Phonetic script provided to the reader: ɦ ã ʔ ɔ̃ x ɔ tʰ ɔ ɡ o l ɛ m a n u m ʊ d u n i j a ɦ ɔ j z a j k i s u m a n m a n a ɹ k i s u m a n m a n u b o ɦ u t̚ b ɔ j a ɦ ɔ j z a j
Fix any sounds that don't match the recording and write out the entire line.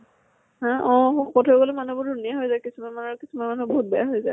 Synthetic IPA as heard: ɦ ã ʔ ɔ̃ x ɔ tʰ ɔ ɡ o l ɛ m a n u b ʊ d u n i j a ɦ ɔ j z a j k i s u m a n m a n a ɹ k i s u m a n m a n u b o ɦ u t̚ b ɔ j a ɦ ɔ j z a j